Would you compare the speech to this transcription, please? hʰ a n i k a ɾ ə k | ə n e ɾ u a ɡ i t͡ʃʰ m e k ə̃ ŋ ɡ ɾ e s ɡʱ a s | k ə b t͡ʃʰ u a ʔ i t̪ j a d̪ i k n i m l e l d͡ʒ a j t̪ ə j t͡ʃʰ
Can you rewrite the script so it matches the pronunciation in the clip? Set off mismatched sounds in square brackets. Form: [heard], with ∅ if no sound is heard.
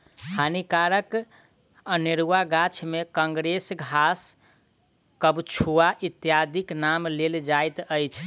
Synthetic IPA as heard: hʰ a n i k a ɾ ə k | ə n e ɾ u a ɡ [a] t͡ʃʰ m e k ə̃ ŋ ɡ ɾ e s ɡʱ a s | k ə b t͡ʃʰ u a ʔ i t̪ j a d̪ i k n [a] m l e l d͡ʒ a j t̪ ə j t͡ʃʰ